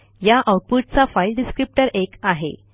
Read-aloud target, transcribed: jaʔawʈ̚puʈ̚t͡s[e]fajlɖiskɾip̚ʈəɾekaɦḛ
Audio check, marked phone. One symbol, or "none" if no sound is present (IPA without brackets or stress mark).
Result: a